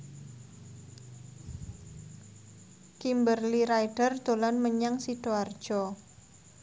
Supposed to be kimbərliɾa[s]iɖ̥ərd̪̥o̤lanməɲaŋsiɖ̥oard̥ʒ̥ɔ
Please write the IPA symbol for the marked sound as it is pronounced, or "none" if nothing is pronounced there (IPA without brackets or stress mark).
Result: none